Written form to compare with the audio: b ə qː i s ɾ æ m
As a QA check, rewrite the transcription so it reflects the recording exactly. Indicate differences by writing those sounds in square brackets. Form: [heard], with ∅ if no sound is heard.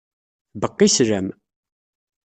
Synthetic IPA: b ə qː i s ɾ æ m